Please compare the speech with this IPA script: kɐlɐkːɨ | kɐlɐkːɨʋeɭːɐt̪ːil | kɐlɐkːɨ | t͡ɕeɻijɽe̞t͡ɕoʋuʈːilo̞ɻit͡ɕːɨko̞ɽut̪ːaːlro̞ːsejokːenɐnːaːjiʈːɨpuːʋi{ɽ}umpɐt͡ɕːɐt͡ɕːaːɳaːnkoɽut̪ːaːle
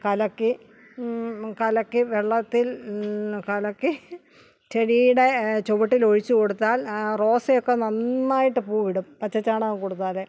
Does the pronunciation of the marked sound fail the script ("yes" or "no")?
no